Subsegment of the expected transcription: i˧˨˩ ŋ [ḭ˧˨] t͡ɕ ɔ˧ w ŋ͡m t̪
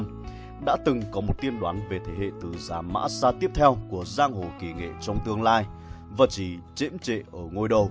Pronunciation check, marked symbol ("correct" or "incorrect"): incorrect